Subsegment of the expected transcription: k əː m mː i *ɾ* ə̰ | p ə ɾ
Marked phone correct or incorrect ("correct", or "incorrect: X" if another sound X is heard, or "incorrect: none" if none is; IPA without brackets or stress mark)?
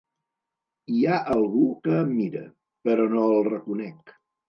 correct